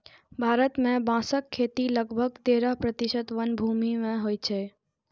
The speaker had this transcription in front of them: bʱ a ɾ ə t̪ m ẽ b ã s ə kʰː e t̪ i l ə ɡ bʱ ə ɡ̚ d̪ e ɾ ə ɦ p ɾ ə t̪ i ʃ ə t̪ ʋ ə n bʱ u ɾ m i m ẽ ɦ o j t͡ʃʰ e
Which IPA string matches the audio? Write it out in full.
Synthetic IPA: bʱ a ɾ ə t̪ m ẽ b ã s ə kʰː e t̪ i l ə ɡ bʱ ə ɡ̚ t̪ e ɾ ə ɦ p ɾ ə t̪ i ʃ ə t̪ ʋ ə n bʱ u m i m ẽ ɦ o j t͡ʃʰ e